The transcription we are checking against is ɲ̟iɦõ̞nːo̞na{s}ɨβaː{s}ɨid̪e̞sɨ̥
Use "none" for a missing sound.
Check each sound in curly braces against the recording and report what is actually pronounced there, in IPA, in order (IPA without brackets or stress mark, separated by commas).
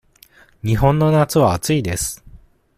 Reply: t͡s, t͡s